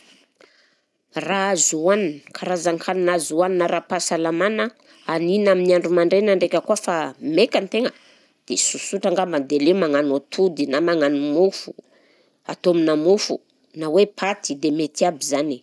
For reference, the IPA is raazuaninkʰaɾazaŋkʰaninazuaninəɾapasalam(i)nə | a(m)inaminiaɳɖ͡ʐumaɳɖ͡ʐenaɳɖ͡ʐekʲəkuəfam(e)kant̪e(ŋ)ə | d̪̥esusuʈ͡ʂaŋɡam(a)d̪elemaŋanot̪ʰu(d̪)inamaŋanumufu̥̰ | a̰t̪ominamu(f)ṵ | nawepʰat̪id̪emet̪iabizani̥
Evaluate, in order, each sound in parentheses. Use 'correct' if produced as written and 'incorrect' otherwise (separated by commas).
incorrect, incorrect, correct, correct, correct, correct, correct